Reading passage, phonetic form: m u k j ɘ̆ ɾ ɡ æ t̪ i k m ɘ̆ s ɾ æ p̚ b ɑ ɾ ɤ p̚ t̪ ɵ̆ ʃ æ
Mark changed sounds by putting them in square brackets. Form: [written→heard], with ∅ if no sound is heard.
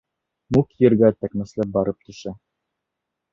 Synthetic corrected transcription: m u k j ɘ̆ ɾ ɡ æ t̪ [i→æ] k m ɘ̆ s [ɾ→l] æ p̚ b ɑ ɾ ɤ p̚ t̪ ɵ̆ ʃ æ